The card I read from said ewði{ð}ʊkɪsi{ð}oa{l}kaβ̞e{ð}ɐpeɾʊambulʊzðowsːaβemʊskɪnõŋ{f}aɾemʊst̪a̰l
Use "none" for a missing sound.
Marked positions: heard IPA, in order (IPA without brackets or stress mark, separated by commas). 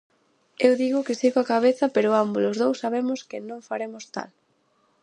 ɣ, ɣ, none, θ, f